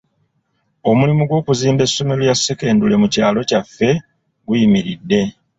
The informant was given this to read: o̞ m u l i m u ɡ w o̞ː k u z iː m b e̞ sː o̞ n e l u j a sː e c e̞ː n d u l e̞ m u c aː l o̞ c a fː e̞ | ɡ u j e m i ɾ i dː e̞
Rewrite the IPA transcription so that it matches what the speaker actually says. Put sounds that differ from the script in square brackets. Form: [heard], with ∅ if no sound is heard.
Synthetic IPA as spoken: o̞ m u l i m u ɡ w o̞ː k u z iː m b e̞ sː o̞ [m] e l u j a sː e [k] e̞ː n d u l e̞ m u c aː l o̞ c a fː e̞ | ɡ u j [i] m i ɾ i dː e̞